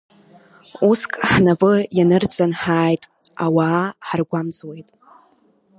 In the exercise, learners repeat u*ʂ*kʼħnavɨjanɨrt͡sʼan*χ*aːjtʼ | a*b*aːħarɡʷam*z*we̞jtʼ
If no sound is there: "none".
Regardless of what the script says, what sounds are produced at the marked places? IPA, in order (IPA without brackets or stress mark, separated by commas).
s, ħ, w, z